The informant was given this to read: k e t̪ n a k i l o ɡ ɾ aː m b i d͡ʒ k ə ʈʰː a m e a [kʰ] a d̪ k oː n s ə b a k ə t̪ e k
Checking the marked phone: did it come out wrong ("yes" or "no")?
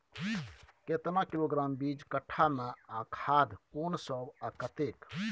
no